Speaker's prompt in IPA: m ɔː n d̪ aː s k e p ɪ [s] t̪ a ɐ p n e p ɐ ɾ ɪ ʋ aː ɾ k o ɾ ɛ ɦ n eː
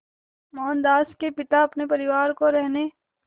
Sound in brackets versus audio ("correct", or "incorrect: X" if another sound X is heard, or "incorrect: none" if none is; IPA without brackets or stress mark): incorrect: none